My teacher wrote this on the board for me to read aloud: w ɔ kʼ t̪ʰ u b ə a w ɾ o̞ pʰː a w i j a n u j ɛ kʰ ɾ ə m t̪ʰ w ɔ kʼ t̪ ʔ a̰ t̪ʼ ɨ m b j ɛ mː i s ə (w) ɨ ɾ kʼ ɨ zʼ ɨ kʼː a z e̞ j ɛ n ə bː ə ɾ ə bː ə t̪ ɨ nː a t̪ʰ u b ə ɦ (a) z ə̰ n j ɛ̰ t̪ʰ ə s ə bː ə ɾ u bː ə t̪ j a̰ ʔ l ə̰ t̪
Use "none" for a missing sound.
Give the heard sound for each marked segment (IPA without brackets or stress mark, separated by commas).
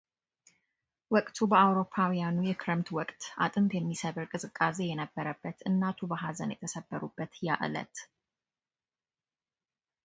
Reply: β, a